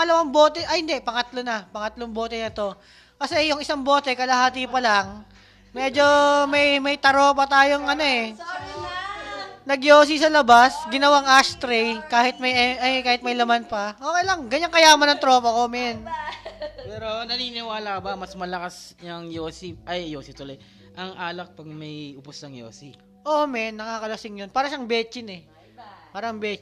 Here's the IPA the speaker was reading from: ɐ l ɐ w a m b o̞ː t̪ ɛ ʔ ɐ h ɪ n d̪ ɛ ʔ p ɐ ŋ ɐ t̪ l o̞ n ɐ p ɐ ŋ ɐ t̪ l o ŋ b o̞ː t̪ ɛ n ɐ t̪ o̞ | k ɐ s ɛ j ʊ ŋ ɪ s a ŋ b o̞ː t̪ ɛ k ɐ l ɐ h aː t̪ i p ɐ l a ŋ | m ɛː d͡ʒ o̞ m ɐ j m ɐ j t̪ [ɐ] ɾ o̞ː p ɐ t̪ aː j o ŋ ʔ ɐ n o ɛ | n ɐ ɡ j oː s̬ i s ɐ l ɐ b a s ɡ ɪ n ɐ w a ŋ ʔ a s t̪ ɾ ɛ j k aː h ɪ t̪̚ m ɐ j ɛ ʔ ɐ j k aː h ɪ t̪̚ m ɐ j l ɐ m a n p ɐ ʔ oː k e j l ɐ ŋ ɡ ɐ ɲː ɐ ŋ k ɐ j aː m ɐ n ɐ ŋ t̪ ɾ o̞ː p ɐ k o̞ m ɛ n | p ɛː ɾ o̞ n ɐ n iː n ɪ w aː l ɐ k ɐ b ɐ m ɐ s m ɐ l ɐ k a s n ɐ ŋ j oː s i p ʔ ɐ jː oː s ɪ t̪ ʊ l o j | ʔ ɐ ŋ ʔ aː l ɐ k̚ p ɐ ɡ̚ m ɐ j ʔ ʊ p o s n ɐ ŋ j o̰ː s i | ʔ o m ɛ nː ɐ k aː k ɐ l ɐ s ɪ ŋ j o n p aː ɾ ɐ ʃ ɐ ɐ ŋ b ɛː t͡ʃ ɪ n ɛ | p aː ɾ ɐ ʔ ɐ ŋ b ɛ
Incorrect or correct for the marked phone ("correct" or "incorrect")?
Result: correct